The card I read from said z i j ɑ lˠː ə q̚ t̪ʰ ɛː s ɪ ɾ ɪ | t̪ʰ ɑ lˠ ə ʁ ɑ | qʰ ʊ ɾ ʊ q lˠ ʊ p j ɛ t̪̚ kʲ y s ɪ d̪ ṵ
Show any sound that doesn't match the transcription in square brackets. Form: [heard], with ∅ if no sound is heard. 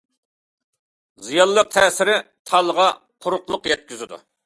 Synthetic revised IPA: z i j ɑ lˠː ə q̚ t̪ʰ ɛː s ɪ ɾ ɪ | t̪ʰ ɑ lˠ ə ʁ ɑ | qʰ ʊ ɾ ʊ q lˠ ʊ [q] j ɛ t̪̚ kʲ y [z] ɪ d̪ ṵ